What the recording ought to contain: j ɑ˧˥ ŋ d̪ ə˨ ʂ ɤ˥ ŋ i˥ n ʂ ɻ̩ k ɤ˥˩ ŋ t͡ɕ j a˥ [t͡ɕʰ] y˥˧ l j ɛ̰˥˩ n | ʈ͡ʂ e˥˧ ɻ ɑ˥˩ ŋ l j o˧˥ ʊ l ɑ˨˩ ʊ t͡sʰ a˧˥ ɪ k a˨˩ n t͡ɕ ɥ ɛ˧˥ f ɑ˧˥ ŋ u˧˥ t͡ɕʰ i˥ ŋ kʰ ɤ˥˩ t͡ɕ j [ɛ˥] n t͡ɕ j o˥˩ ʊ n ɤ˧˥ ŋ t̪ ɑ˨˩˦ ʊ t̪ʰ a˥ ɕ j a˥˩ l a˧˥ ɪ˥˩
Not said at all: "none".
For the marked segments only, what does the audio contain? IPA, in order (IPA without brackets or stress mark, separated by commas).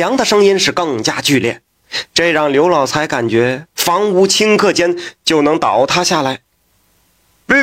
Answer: t͡ɕ, ɛ˥